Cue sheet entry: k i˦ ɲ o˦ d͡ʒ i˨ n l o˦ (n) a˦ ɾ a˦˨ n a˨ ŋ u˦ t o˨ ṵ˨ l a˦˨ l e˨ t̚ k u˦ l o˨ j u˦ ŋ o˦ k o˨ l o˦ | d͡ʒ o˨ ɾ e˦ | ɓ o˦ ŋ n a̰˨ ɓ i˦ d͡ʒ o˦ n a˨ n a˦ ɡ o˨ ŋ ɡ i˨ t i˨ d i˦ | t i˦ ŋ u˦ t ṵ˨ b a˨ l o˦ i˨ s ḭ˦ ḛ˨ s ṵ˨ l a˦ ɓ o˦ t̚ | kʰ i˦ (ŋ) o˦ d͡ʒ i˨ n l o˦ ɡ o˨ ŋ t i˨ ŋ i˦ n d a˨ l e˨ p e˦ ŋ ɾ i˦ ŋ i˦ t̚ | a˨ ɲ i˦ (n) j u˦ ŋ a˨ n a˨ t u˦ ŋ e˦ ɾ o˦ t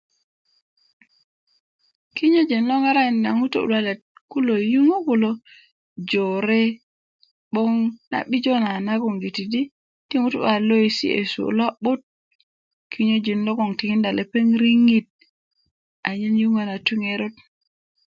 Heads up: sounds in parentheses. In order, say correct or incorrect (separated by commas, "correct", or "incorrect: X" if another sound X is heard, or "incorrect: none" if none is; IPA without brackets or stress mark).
incorrect: ŋ, incorrect: ɲ, correct